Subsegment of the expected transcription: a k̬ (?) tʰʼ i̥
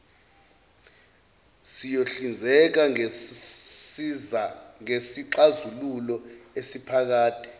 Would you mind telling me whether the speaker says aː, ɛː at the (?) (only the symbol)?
aː